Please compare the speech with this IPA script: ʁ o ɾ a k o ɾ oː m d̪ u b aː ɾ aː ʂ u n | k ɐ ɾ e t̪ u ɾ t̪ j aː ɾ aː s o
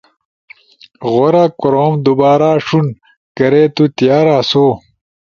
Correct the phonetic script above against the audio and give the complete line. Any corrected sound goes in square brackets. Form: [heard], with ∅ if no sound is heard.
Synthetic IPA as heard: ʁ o ɾ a k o ɾ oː m d̪ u b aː ɾ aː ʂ u n | k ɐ ɾ e t̪ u [∅] t̪ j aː ɾ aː s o